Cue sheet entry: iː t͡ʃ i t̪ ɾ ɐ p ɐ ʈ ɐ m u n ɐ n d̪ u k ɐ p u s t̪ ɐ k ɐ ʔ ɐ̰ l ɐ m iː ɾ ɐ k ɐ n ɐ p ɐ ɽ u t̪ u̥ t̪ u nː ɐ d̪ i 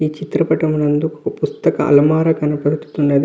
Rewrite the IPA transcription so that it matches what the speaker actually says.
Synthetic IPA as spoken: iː t͡ʃ i t̪ ɾ ɐ p ɐ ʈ ɐ m u n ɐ n d̪ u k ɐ p u s t̪ ɐ k ɐ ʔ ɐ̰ l ɐ m aː ɾ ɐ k ɐ n ɐ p ɐ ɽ u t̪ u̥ t̪ u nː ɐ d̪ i